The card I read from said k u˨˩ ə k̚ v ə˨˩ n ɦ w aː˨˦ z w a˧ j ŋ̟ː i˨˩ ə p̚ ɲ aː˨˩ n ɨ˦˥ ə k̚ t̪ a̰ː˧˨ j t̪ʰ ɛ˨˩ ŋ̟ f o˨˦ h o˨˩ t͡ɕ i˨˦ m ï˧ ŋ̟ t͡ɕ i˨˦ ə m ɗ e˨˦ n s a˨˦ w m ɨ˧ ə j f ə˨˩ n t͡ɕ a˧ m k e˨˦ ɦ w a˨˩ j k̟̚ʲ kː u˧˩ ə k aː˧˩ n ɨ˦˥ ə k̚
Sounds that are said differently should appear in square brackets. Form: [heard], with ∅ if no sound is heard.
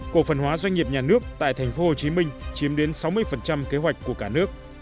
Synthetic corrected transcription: k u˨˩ ə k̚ [f] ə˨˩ n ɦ w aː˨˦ z w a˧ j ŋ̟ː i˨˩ ə p̚ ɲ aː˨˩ n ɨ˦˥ ə k̚ t̪ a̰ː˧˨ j t̪ʰ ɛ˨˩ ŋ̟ f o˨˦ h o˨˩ t͡ɕ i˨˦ m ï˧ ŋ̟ t͡ɕ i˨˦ ə m ɗ e˨˦ n s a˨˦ w m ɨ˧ ə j f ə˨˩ n t͡ɕ a˧ m k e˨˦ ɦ w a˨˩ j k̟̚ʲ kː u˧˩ ə k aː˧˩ n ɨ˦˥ ə k̚